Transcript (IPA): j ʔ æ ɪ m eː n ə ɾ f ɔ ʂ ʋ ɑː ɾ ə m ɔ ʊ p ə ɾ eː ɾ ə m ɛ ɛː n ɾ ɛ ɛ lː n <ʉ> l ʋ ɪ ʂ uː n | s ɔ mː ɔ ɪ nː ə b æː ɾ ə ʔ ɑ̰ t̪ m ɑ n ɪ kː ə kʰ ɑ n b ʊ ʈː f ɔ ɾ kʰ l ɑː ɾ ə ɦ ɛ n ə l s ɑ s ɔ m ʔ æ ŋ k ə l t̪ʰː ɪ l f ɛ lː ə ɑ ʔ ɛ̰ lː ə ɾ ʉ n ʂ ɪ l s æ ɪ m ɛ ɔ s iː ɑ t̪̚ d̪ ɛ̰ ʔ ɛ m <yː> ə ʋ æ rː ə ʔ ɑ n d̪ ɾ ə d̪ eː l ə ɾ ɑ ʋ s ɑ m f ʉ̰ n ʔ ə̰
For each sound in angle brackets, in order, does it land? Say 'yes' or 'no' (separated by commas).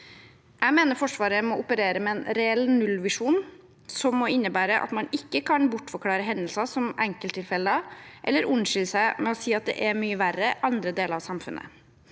yes, yes